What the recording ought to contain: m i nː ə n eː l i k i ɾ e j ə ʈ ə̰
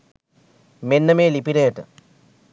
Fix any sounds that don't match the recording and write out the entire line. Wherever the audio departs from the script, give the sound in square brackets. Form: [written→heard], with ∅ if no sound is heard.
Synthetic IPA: m [i→e] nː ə [n→m] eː l i [k→p] i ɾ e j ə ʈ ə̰